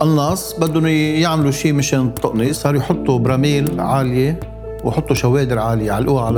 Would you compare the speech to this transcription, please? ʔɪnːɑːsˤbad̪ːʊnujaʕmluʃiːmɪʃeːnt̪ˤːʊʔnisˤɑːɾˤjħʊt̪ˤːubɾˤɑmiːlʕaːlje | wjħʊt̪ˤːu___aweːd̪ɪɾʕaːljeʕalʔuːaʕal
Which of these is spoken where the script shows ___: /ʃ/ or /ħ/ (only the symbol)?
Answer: ʃ